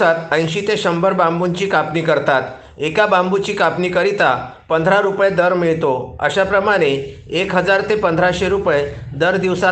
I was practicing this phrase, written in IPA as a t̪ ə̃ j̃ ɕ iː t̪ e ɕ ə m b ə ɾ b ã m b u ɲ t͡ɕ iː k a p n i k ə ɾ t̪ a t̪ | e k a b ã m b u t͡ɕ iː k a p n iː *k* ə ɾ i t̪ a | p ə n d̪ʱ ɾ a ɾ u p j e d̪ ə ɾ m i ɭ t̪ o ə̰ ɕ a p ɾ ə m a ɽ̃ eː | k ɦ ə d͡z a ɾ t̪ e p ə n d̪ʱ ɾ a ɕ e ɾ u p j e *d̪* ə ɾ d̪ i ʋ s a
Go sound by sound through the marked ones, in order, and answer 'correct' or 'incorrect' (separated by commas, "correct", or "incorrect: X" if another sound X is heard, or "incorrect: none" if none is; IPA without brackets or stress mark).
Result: correct, correct